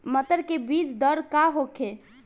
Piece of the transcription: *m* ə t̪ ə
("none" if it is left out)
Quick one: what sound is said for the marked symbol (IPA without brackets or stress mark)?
m